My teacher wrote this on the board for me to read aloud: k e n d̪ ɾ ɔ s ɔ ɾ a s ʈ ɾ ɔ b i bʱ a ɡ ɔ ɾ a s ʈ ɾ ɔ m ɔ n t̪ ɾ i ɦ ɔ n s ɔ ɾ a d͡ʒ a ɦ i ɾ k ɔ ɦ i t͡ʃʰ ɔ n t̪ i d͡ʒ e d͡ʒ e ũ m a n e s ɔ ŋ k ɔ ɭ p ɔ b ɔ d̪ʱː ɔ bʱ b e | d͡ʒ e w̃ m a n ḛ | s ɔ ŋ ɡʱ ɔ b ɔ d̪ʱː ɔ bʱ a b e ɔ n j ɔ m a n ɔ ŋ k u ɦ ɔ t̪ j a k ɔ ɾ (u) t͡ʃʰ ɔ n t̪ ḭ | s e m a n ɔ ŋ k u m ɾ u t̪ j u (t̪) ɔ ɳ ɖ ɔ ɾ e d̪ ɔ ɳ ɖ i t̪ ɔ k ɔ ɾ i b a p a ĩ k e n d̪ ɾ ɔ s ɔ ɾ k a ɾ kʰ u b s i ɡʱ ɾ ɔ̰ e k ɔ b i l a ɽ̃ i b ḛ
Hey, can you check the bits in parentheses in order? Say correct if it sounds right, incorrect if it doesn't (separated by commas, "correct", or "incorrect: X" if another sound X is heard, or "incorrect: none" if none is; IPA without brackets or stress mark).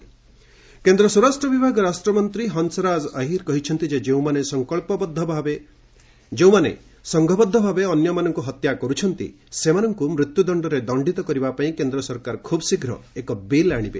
correct, incorrect: d̪